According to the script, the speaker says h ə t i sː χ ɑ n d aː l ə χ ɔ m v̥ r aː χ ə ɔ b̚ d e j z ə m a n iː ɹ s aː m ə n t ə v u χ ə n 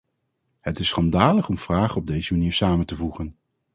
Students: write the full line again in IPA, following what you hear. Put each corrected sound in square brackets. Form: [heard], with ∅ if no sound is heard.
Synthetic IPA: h ə t [ɪ] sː χ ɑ n d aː l ə χ ɔ m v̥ r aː χ ə ɔ b̚ d e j z ə m a n iː ɹ s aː m ə n t ə v u χ ə n